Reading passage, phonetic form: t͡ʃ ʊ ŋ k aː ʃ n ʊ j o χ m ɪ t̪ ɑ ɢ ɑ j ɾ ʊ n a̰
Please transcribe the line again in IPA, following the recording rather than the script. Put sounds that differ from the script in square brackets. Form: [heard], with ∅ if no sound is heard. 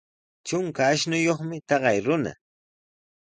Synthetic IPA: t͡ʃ ʊ ŋ k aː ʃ n ʊ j o χ m ɪ t̪ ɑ ɢ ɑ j ɾ ʊ n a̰